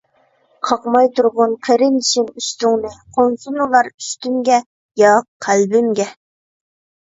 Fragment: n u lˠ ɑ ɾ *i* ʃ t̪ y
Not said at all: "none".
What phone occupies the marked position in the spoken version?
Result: y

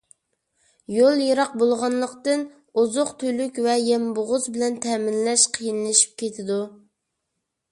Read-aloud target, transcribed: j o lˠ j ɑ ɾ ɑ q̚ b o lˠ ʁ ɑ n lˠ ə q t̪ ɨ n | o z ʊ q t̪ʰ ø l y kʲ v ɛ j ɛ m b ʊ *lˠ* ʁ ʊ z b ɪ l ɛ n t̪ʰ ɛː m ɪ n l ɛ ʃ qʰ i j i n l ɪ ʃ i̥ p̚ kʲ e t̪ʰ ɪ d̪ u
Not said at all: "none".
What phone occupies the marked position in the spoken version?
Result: none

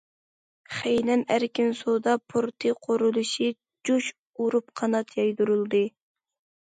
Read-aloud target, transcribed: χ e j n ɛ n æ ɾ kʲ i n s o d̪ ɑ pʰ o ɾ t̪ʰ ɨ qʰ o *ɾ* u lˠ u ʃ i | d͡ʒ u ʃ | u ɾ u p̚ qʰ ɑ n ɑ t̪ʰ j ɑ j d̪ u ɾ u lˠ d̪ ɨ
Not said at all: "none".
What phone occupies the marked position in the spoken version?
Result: ɾ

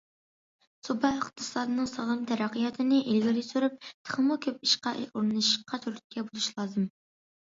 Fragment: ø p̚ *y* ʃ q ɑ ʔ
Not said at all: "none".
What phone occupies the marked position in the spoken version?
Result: i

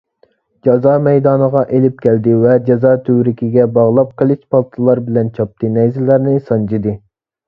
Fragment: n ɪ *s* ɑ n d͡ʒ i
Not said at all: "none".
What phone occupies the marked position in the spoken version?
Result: s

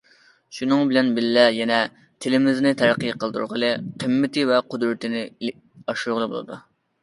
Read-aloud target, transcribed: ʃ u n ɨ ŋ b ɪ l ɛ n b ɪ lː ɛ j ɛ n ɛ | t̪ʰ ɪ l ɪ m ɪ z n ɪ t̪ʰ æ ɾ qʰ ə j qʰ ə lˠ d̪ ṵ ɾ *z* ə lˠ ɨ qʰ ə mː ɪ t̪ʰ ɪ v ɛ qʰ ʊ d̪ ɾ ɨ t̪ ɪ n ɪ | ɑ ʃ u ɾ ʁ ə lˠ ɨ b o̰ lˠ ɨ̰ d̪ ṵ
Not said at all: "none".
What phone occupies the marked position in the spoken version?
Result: ʁ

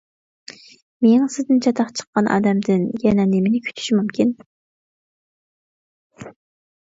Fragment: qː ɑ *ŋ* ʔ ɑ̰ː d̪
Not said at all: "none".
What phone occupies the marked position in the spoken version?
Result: n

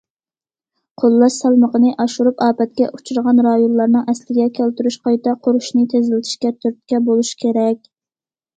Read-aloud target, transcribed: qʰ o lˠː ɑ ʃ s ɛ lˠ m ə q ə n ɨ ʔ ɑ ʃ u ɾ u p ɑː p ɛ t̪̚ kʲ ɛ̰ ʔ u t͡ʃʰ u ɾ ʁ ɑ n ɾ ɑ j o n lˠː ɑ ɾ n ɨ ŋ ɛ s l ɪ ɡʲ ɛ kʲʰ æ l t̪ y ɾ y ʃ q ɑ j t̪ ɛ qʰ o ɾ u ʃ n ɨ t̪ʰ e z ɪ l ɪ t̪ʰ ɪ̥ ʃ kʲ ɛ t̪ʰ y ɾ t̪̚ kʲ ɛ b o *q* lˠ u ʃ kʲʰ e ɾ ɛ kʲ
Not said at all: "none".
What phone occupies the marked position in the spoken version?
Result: none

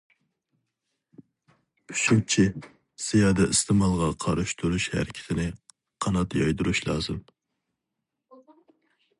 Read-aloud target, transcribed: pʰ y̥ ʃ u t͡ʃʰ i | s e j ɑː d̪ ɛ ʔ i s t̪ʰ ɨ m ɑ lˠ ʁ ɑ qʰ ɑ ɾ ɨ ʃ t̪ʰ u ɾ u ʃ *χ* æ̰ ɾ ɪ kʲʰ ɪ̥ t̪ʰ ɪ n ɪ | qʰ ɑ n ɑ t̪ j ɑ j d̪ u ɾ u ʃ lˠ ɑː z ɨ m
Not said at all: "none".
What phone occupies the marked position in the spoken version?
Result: h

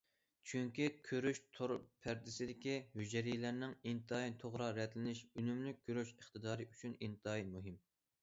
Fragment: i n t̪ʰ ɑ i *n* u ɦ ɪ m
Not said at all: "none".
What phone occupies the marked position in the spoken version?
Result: m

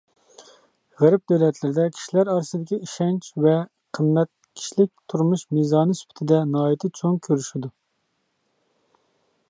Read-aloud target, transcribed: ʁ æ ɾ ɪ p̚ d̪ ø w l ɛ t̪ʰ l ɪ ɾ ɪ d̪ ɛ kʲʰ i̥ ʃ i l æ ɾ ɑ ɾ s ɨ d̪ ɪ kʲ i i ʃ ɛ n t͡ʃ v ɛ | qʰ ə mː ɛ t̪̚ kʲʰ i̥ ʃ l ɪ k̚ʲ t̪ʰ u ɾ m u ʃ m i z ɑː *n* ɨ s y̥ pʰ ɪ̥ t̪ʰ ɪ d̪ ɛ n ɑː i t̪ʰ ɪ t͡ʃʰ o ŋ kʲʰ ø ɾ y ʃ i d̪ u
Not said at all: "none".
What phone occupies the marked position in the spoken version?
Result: n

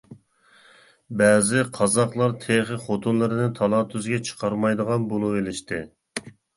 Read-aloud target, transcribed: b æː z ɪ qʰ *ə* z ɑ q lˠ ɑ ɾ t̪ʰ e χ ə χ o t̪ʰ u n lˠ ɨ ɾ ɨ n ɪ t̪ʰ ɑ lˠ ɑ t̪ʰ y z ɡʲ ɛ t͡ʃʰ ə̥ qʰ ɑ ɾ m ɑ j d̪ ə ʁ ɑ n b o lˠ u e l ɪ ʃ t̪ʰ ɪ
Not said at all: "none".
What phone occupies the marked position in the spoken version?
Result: ɑ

